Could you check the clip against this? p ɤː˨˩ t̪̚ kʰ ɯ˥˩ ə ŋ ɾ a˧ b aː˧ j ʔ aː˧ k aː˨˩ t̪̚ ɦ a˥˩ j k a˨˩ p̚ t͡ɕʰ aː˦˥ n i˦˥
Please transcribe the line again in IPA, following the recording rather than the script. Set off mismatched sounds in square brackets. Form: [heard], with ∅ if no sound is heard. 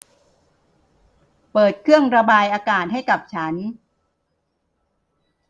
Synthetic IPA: p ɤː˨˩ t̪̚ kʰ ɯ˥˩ ə ŋ ɾ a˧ b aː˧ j ʔ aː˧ k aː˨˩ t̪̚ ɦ a˥˩ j k a˨˩ p̚ t͡ɕʰ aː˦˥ n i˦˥

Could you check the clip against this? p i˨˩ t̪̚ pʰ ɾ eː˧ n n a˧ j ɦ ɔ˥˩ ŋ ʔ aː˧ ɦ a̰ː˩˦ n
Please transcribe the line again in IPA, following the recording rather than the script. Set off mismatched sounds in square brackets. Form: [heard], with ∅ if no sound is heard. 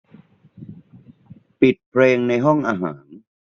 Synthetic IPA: p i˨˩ t̪̚ pʰ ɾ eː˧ [ŋ] n a˧ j ɦ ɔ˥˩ ŋ ʔ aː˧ ɦ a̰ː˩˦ n

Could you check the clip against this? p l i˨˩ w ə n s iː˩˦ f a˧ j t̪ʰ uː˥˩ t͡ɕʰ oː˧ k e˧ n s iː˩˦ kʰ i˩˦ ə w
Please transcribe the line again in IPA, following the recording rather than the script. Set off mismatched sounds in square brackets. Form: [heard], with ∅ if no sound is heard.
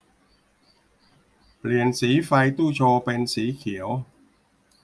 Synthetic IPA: p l i˨˩ [∅] ə n s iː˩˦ f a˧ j [t̪] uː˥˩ t͡ɕʰ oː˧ [p] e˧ n s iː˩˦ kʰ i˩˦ ə w

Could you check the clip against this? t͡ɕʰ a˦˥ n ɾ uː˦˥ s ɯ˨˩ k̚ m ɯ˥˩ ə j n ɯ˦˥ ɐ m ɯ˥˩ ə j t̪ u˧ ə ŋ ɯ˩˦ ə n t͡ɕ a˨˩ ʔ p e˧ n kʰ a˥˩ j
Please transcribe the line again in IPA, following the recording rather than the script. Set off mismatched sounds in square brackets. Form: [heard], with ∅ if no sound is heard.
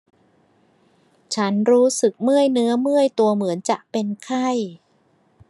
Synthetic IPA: t͡ɕʰ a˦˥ n ɾ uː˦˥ s ɯ˨˩ k̚ m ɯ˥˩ ə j n ɯ˦˥ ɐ m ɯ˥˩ ə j t̪ u˧ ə [m] ɯ˩˦ ə n t͡ɕ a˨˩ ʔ p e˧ n kʰ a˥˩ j

